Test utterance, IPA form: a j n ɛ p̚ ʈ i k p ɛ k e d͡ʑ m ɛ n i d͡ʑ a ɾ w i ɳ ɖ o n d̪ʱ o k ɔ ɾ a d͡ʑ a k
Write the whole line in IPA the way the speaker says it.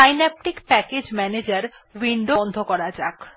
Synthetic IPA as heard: a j n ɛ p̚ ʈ i k p ɛ k e d͡ʑ m ɛ n e d͡ʑ a ɾ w i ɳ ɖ o n d̪ʱ o k ɔ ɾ a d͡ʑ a k